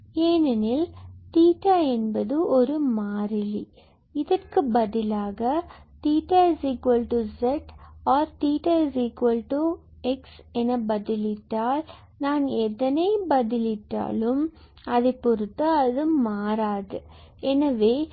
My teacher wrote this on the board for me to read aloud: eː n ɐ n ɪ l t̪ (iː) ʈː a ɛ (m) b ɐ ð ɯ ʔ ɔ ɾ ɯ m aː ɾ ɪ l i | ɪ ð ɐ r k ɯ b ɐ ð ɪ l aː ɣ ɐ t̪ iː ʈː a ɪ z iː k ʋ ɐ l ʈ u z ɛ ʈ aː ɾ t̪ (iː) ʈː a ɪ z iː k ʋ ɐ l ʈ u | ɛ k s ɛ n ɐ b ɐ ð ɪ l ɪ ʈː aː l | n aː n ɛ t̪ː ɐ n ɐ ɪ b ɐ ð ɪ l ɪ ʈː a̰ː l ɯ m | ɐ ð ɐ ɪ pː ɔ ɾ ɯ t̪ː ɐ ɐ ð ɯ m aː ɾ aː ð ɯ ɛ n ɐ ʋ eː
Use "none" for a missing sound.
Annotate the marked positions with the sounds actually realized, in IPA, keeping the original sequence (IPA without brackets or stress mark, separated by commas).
iː, n, iː